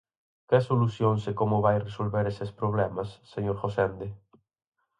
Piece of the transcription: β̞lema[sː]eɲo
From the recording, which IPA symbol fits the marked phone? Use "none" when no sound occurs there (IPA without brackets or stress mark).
sː